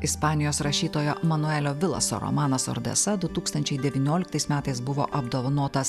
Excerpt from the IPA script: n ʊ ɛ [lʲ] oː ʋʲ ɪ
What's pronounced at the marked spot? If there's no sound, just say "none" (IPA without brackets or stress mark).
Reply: lʲ